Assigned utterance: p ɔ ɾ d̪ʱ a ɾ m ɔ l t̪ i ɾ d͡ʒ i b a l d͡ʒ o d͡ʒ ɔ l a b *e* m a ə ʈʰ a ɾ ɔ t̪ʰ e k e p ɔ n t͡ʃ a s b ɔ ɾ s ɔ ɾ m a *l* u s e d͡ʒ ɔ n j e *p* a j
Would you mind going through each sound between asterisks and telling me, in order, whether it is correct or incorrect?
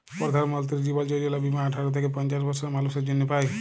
incorrect, correct, correct

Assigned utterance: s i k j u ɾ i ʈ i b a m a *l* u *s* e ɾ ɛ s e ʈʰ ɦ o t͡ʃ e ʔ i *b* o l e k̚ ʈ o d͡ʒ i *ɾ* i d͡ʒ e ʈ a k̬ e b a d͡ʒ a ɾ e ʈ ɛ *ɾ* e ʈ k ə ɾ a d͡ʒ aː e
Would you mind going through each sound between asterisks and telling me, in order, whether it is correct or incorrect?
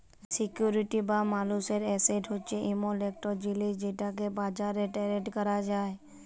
correct, correct, incorrect, incorrect, correct

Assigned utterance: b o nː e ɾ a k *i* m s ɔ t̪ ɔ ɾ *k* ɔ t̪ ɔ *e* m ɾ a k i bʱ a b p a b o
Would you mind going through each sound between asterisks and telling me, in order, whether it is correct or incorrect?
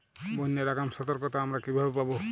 incorrect, correct, incorrect

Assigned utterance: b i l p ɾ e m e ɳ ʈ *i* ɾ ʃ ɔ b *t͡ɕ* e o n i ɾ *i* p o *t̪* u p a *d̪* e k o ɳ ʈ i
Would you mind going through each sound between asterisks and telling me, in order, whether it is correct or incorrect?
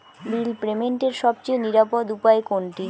incorrect, correct, incorrect, incorrect, incorrect

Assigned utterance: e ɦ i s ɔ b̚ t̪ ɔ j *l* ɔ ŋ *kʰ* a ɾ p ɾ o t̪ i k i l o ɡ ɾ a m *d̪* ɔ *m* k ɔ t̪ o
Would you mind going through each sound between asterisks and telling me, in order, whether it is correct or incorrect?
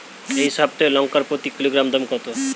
correct, incorrect, correct, correct

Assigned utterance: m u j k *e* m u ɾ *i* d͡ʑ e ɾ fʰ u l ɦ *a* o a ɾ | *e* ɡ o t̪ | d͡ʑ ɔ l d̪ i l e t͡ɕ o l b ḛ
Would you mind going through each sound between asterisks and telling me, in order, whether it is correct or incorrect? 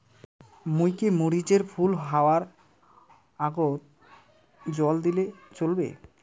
correct, correct, correct, incorrect

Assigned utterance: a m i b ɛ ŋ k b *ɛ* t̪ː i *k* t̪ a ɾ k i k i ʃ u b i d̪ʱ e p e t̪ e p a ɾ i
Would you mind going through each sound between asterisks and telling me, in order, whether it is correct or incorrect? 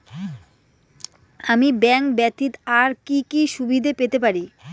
correct, incorrect

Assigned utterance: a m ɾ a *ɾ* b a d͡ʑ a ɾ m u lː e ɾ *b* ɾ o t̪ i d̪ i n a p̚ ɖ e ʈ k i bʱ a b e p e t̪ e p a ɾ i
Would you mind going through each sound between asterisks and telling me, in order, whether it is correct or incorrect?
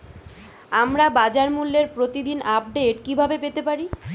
incorrect, incorrect

